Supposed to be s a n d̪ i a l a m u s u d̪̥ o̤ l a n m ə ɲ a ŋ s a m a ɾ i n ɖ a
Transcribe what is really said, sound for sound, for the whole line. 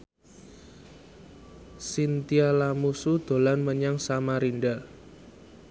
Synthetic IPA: s i n t̪ i a l a m u s u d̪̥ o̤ l a n m ə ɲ a ŋ s a m a ɾ i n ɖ a